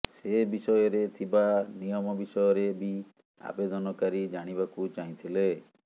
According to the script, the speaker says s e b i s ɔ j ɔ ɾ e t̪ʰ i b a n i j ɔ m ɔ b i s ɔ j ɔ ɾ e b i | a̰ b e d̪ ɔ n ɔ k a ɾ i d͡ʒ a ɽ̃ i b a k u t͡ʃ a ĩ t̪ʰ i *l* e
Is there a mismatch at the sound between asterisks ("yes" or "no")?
no